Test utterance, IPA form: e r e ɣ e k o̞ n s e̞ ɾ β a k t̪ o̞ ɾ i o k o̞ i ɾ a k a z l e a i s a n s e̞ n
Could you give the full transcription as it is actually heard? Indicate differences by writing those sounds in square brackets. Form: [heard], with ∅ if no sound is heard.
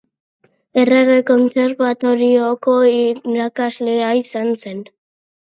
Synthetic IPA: e r e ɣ e k o̞ n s e̞ ɾ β a [∅] t̪ o̞ ɾ i o k o̞ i ɾ a k a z l e a i s a n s e̞ n